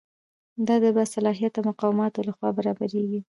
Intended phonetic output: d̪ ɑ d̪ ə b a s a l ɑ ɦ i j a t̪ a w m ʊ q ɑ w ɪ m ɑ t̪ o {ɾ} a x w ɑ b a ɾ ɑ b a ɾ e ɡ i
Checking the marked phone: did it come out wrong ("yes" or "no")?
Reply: yes